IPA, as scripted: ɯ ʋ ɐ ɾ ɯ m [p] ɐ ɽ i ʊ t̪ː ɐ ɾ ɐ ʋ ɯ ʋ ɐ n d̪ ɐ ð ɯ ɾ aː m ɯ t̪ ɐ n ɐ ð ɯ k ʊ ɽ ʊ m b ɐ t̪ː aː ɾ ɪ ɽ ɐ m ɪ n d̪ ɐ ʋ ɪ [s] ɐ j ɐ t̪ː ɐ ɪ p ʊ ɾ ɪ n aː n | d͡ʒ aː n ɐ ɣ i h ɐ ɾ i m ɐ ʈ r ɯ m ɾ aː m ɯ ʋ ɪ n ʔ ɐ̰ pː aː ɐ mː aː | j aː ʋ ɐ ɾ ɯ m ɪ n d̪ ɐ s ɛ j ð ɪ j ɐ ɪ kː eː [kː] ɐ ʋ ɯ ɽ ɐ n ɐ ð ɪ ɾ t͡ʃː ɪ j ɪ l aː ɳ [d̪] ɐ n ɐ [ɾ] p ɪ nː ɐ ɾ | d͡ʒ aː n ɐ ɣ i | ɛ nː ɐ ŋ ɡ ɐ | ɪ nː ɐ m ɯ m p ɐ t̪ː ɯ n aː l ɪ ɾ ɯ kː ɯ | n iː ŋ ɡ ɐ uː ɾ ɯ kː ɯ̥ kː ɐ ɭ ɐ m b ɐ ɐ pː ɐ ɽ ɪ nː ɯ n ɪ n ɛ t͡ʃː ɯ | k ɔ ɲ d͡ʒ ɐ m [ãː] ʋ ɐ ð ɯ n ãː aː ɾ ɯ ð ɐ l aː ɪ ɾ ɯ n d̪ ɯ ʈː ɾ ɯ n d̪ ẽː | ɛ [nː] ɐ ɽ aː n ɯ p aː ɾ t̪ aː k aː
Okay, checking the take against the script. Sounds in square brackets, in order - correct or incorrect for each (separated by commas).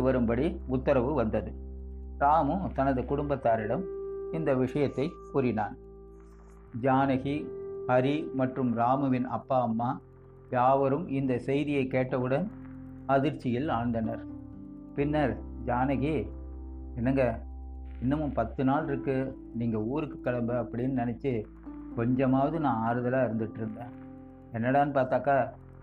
incorrect, incorrect, incorrect, correct, correct, incorrect, correct